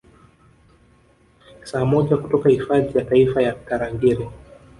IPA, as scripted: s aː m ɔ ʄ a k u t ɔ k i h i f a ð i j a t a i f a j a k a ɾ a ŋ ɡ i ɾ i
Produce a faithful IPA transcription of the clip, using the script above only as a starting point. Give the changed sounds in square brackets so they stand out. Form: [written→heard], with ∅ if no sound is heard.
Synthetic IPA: s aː m ɔ ʄ a k u t ɔ k [i→a] h i f a ð i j a t a i f a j a k a ɾ a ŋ ɡ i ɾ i